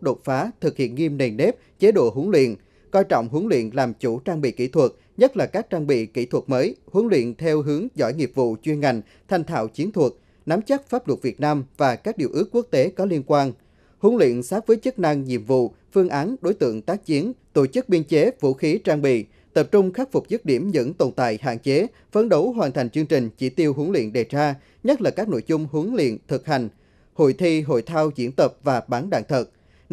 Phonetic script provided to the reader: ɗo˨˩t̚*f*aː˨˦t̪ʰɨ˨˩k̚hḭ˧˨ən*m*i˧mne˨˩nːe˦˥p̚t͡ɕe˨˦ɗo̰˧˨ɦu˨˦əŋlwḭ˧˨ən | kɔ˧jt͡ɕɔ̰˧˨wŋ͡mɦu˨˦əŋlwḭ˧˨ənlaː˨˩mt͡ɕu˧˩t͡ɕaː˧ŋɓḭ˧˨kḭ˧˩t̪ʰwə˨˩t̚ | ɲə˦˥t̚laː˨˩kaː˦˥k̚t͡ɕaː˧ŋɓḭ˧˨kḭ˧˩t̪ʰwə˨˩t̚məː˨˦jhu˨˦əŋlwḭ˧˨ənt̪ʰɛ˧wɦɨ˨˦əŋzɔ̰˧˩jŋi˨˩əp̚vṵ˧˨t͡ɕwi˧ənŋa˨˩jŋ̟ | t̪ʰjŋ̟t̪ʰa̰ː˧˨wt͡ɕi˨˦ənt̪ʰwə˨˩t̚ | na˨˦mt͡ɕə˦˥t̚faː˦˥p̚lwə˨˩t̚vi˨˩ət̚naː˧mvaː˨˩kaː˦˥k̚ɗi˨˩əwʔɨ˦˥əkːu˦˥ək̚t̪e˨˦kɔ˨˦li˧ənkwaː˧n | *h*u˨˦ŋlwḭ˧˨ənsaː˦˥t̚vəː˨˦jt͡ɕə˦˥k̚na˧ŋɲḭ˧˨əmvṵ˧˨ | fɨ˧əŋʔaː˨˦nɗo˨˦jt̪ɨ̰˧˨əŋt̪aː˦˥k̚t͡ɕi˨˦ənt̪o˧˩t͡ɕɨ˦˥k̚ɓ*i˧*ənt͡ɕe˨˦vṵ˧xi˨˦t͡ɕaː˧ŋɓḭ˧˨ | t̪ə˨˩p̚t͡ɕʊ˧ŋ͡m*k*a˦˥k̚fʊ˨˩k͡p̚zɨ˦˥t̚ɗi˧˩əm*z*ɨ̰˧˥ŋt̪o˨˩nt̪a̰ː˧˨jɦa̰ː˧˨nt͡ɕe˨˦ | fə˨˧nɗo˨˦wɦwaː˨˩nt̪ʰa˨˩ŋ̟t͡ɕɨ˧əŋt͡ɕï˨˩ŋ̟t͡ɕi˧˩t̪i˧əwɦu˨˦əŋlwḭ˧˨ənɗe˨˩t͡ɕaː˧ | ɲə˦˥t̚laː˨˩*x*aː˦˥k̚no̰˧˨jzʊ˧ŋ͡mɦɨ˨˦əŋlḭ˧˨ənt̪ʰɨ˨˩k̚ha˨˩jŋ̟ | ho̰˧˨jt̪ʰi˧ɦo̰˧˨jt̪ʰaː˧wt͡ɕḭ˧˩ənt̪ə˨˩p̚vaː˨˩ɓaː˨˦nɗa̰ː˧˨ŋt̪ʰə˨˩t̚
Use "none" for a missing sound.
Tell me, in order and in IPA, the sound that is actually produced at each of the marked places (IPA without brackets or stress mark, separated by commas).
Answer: f, ŋ, h, i˧, x, z, k